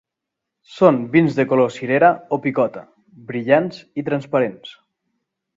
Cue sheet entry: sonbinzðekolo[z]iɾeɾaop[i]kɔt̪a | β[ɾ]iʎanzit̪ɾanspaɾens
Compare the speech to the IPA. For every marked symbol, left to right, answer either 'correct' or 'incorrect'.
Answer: incorrect, correct, correct

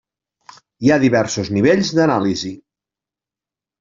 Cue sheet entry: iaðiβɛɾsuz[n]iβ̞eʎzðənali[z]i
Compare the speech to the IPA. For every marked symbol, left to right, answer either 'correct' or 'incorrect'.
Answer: correct, correct

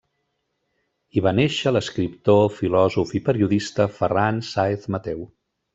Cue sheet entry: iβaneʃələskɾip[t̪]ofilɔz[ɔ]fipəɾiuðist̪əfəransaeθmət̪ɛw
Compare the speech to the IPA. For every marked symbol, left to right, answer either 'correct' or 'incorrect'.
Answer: correct, incorrect

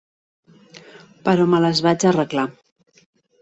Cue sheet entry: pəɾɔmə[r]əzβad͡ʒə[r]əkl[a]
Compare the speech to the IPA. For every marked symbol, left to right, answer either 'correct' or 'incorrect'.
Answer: incorrect, correct, correct

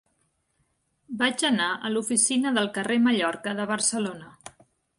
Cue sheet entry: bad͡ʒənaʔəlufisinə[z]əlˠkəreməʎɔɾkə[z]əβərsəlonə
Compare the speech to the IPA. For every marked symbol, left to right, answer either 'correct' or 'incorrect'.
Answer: incorrect, incorrect

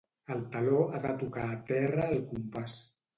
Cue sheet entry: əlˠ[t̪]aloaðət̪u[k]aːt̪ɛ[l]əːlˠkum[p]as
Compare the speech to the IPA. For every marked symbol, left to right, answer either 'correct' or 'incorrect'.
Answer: correct, correct, incorrect, correct

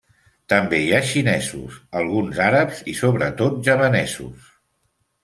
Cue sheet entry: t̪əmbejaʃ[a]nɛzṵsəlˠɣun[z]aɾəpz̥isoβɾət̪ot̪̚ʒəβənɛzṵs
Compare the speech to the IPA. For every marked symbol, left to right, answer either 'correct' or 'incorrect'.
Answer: incorrect, correct

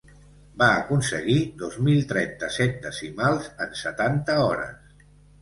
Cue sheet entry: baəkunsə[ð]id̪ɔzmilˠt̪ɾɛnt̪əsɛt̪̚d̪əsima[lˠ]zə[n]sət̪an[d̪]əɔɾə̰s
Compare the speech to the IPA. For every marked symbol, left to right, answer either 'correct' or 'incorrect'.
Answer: incorrect, correct, correct, incorrect

